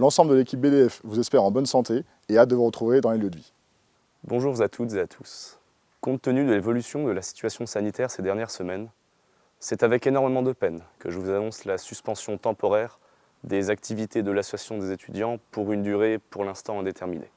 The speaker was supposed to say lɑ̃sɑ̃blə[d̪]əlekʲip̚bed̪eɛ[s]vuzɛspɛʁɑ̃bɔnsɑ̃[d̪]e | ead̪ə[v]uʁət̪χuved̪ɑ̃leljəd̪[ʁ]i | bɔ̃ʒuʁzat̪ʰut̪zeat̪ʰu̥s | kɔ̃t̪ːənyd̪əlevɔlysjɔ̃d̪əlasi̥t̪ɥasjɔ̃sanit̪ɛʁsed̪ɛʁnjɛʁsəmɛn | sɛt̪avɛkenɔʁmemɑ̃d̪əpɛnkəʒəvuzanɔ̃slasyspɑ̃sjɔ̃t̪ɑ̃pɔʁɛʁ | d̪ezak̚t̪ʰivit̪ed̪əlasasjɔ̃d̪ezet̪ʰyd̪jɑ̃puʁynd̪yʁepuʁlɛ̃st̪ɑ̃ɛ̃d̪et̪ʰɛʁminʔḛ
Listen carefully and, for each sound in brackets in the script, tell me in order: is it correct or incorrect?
correct, incorrect: f, incorrect: t̪, correct, incorrect: v

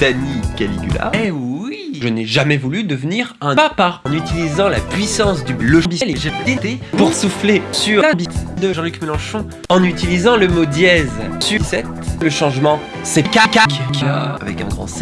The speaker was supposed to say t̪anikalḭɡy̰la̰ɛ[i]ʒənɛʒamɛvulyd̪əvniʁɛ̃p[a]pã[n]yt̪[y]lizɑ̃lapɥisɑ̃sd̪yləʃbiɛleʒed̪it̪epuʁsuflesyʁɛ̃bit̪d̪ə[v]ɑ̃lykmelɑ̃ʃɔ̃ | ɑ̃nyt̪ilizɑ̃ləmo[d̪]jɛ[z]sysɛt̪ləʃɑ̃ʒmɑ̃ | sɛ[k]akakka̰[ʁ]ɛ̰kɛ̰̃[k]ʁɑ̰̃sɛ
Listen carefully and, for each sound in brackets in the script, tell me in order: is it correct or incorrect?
correct, correct, correct, incorrect: i, incorrect: ʒ, correct, correct, correct, incorrect: v, incorrect: ɡ

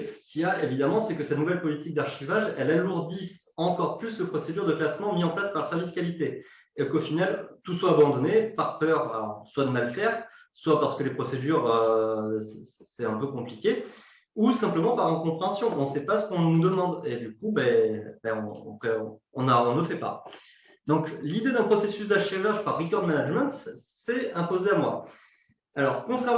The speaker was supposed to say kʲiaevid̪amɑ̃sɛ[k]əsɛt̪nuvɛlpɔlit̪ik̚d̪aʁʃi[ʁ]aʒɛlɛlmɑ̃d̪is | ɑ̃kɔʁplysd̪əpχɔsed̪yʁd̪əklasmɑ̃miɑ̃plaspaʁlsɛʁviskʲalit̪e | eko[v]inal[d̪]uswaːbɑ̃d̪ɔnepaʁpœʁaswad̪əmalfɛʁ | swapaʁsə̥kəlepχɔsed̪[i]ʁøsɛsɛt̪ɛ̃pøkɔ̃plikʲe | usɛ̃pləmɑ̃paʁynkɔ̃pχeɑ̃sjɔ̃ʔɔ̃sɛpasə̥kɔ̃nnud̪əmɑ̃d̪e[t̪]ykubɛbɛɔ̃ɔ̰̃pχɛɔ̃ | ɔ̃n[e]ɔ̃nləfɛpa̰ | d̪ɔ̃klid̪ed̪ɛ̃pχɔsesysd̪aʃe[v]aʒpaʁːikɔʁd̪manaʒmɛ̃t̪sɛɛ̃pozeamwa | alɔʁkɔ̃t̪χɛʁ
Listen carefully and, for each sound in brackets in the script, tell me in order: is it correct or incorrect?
correct, incorrect: v, incorrect: f, incorrect: t̪, incorrect: y, incorrect: d̪, incorrect: a, correct

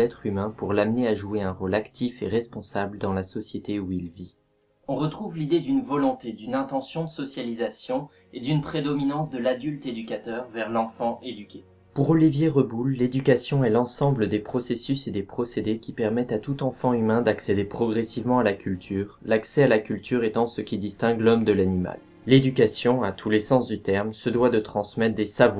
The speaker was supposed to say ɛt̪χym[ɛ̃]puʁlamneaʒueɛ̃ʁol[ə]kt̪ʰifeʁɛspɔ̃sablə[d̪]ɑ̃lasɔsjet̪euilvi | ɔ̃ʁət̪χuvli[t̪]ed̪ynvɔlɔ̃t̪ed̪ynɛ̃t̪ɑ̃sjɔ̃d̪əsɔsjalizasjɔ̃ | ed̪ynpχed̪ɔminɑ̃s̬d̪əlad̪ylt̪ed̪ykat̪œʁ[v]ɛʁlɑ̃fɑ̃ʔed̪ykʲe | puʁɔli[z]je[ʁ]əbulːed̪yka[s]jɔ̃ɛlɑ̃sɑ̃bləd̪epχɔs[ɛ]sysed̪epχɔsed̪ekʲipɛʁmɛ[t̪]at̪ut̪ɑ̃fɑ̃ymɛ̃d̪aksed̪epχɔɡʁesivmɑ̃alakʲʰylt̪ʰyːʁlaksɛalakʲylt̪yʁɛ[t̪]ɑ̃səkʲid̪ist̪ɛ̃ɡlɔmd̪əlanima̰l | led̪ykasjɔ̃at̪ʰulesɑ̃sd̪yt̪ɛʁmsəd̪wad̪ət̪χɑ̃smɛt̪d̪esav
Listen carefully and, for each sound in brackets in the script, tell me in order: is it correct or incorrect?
correct, incorrect: a, correct, incorrect: d̪, correct, incorrect: v, correct, correct, incorrect: e, correct, correct

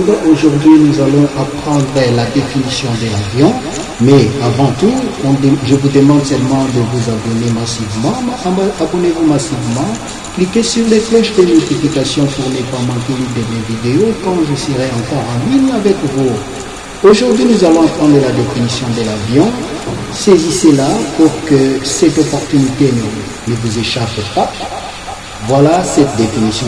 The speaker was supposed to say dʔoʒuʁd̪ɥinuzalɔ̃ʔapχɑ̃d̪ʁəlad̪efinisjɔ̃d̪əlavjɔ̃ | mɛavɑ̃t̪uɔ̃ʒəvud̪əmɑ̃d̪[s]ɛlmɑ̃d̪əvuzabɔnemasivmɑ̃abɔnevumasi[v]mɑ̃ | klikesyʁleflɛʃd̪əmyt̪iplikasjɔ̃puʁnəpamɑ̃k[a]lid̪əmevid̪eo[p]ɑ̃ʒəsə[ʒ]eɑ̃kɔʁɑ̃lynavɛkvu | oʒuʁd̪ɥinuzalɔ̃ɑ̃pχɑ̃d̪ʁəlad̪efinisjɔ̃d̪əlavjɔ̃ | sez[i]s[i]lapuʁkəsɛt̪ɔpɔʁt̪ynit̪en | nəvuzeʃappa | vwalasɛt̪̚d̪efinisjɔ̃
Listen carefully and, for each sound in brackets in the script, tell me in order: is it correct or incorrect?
correct, correct, incorrect: e, incorrect: k, incorrect: ʁ, correct, incorrect: e

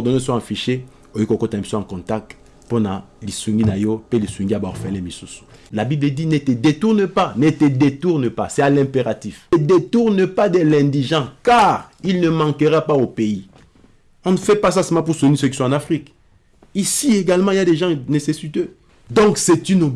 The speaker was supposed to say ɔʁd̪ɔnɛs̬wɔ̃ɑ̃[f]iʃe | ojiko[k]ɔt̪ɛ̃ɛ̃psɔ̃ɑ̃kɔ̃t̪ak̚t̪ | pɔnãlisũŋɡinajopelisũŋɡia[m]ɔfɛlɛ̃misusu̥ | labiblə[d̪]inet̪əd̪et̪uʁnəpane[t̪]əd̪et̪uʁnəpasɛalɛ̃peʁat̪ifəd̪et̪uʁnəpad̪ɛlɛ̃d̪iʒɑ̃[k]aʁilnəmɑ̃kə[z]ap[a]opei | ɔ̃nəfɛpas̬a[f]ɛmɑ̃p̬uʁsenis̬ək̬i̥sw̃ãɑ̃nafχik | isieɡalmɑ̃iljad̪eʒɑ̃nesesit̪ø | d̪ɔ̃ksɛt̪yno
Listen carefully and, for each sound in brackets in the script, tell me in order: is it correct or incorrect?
correct, correct, incorrect: b, correct, correct, correct, incorrect: ʁ, correct, incorrect: s

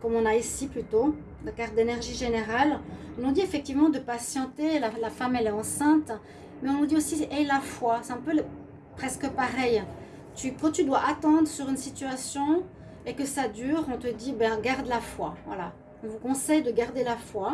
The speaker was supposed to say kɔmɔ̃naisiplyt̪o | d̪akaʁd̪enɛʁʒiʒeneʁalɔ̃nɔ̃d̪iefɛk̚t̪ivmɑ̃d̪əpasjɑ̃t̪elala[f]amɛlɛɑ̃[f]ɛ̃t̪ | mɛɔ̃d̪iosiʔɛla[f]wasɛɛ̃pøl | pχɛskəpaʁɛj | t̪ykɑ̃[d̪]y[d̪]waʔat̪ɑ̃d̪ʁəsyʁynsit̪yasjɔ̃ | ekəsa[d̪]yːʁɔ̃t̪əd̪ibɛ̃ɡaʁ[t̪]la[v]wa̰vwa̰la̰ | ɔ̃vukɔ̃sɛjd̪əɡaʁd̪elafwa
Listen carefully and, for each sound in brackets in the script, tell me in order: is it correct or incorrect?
correct, incorrect: s, correct, incorrect: t̪, correct, correct, incorrect: d̪, incorrect: f

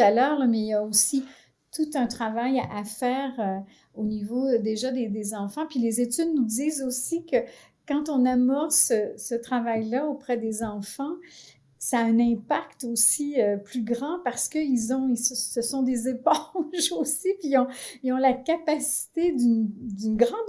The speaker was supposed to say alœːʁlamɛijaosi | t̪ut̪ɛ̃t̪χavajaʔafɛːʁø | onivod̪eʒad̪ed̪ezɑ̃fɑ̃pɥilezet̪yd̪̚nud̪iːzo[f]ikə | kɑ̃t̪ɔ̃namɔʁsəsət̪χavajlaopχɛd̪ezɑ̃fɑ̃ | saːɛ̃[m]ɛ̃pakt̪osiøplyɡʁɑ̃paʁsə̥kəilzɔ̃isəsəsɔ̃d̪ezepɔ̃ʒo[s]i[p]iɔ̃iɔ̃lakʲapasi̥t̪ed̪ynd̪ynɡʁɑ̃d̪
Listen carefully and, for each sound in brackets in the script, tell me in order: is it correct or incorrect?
incorrect: s, incorrect: n, correct, correct

